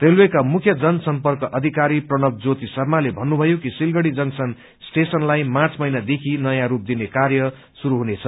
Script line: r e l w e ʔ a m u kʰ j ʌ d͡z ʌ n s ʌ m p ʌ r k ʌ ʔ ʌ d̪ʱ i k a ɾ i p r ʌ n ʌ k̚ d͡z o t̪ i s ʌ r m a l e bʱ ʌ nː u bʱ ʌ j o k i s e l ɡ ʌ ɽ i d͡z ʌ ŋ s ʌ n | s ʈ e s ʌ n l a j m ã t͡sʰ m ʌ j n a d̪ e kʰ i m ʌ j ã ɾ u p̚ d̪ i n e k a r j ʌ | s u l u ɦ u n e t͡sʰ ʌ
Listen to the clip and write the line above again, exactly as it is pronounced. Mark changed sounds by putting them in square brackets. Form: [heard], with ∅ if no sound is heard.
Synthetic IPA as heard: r e l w e [k] a m u kʰ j ʌ d͡z ʌ n s ʌ m p ʌ r k ʌ ʔ ʌ d̪ʱ i k a ɾ i p r ʌ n ʌ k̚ d͡z o t̪ i s ʌ r m a l e bʱ ʌ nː u bʱ ʌ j o k i s [i] l ɡ ʌ ɽ i d͡z ʌ ŋ s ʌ n | s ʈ e s ʌ n l a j m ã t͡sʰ m ʌ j n a d̪ e kʰ i [n] ʌ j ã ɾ u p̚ d̪ i n e k a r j ʌ | s u [ɾ] u ɦ u n e t͡sʰ ʌ